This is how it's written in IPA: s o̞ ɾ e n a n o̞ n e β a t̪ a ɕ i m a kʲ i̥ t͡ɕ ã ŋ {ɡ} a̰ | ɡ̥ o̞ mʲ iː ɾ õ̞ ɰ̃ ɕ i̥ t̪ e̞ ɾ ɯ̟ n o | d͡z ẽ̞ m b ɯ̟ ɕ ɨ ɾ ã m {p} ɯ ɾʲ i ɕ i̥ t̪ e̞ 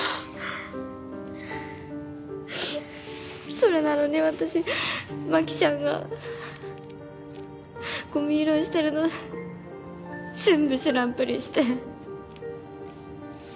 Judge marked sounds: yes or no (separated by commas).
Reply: yes, yes